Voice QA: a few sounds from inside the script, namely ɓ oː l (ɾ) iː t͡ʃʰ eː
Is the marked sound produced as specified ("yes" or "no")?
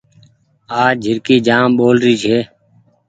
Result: yes